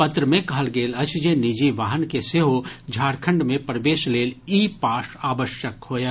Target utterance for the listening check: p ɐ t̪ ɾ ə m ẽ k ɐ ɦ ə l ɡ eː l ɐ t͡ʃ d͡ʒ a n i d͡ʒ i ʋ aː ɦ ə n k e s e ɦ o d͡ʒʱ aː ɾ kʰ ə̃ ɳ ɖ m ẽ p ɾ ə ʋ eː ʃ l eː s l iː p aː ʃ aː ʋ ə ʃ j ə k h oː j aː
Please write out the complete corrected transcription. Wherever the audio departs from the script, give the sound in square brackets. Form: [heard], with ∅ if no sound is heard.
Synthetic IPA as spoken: p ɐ t̪ ɾ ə m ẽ k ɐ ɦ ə l ɡ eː l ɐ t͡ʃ d͡ʒ [e] n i d͡ʒ i ʋ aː ɦ ə n k e s e ɦ o d͡ʒʱ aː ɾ kʰ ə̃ ɳ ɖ m ẽ p ɾ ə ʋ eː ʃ l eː [∅] l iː p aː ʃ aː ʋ ə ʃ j ə k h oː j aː